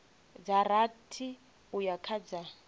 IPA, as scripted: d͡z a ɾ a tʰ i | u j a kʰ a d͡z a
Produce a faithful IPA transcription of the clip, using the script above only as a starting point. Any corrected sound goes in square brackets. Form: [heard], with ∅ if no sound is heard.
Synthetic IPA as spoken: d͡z a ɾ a tʰ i | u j a kʰ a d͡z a